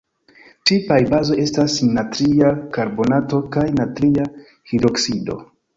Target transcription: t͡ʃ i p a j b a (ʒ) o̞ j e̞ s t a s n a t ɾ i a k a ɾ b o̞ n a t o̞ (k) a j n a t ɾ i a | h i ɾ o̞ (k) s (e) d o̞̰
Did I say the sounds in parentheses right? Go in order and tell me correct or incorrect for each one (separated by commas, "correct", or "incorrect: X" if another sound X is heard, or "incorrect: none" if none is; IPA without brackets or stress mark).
incorrect: z, correct, correct, incorrect: i